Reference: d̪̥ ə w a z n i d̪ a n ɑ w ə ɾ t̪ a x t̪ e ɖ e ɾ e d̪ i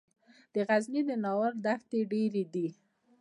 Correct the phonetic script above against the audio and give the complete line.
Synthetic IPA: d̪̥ ə ɣ a z n i d̪ ə n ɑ w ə ɾ d̪ a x t̪ e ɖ e ɾ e d̪ i